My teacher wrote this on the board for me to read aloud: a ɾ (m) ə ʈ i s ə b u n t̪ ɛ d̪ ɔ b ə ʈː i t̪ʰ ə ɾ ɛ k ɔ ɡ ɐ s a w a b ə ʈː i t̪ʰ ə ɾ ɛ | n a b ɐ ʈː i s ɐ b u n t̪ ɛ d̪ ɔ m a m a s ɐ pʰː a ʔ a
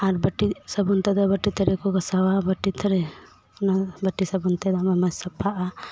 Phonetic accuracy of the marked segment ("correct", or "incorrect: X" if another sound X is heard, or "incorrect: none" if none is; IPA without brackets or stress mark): incorrect: b